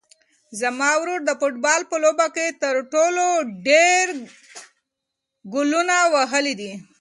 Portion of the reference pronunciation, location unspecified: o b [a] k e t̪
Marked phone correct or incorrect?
correct